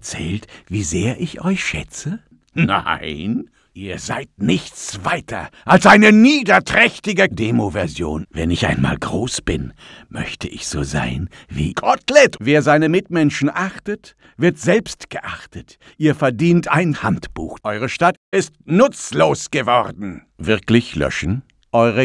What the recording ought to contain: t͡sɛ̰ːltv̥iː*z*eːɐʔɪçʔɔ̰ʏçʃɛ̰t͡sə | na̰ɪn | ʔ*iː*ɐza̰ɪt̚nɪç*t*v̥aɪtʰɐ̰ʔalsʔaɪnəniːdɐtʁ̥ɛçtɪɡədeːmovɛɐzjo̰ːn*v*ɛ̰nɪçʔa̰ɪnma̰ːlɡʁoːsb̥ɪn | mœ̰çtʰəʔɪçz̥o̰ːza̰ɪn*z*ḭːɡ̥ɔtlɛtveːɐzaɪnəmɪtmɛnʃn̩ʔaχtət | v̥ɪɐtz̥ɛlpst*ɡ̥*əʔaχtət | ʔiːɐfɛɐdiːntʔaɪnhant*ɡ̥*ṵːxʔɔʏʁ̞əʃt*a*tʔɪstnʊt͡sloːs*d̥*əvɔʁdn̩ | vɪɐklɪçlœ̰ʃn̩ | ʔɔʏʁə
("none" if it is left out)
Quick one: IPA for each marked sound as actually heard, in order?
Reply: z, iː, t͡s, v, v, ɡ̥, b̥, a, ɡ̥

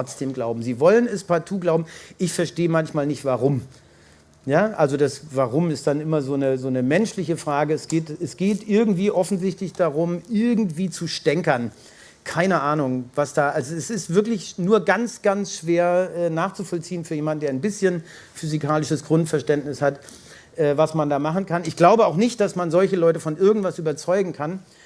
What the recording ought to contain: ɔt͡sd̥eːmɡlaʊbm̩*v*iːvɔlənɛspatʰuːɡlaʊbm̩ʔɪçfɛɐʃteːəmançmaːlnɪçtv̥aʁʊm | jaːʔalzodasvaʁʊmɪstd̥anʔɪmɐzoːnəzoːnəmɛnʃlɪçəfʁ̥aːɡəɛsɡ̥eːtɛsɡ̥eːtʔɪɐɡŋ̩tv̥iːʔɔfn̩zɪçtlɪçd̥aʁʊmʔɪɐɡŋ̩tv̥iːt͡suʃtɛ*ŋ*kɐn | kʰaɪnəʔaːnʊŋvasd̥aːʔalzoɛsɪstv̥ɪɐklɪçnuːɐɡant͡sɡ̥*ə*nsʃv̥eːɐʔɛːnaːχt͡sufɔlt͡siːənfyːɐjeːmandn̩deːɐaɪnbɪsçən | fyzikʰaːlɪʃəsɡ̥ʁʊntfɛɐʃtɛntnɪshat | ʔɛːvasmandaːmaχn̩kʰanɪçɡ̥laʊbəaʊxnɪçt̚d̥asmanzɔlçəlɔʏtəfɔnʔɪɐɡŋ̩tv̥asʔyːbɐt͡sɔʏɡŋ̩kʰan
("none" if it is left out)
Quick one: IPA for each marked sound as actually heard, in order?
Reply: z, ŋ, a

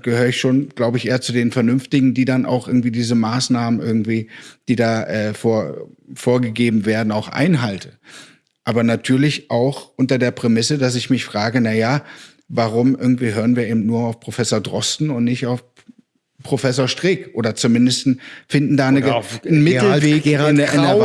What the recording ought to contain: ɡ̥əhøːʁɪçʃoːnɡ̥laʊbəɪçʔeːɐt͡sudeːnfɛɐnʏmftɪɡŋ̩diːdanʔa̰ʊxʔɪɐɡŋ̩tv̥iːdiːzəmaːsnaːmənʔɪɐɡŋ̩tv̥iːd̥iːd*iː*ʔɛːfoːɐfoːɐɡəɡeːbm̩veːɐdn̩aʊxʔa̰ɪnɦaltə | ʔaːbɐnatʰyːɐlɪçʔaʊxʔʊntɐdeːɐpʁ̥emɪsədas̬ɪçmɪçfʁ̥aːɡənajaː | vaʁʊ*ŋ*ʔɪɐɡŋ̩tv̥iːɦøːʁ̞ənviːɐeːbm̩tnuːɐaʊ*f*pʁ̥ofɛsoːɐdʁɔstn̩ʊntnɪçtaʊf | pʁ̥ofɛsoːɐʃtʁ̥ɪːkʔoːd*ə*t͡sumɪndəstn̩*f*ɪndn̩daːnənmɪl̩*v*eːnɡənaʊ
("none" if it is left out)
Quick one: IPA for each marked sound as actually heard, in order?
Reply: aː, m, f, ɐ, f, v

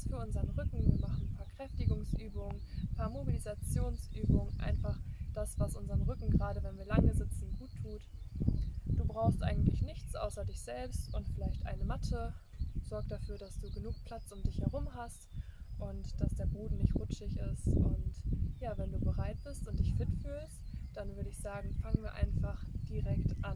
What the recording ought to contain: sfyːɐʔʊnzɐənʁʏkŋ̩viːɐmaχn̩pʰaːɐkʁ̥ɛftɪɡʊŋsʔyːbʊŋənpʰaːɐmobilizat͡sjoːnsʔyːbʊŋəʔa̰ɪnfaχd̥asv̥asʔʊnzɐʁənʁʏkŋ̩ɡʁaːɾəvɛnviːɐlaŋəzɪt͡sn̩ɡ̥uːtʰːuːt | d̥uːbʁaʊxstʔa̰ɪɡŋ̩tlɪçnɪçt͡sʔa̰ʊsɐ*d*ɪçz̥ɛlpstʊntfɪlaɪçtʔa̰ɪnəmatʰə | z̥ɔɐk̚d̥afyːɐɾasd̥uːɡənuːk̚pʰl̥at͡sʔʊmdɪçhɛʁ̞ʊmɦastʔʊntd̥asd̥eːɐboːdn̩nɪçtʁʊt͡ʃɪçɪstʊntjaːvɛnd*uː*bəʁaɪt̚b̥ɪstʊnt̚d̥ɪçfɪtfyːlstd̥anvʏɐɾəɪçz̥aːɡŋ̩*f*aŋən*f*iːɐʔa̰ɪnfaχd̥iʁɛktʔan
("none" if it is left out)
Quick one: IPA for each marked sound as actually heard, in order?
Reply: d, uː, f, v

